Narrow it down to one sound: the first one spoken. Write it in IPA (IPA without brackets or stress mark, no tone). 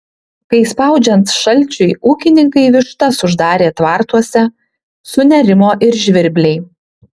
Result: k